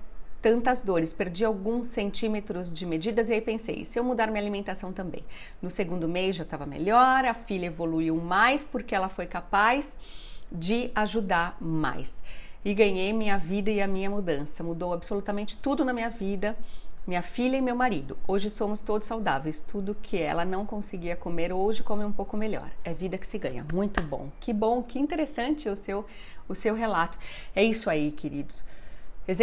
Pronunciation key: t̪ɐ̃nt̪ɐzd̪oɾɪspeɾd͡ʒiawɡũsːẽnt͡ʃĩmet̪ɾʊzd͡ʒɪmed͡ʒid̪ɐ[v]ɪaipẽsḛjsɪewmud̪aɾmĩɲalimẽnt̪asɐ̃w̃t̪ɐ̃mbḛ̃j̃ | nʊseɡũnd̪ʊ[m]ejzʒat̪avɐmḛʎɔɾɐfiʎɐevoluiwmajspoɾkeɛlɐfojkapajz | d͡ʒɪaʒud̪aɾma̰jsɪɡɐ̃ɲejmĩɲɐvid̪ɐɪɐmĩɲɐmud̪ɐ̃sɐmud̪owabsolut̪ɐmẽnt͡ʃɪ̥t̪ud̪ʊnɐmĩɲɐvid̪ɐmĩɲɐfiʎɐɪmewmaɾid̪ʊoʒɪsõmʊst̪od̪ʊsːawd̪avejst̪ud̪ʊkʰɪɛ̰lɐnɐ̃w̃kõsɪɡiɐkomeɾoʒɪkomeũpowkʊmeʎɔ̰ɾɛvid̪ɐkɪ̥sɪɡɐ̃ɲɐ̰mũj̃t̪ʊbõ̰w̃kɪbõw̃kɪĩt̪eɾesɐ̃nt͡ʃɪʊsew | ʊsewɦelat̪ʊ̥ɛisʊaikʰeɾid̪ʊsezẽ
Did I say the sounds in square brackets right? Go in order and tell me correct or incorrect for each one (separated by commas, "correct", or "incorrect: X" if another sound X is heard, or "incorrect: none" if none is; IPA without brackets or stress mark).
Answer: incorrect: z, correct